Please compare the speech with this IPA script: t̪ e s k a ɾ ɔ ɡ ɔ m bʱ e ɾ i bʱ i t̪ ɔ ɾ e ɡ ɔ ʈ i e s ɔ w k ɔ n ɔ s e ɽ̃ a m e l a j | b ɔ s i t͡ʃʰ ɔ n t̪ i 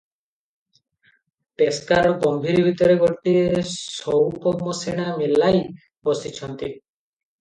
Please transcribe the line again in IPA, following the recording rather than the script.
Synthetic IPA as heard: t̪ e s k a ɾ ɔ ɡ ɔ m bʱ i ɾ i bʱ i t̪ ɔ ɾ e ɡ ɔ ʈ i e s ɔ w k ɔ m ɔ s e ɽ̃ a m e l a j | b ɔ s i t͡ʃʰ ɔ n t̪ i